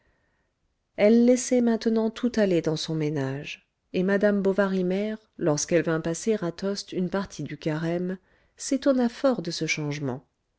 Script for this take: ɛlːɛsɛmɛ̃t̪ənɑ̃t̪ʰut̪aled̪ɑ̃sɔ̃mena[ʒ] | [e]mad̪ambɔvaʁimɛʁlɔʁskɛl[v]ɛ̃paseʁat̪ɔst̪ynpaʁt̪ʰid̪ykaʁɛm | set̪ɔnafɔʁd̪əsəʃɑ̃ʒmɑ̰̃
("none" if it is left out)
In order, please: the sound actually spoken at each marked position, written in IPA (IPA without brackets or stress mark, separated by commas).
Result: ʒ, e, v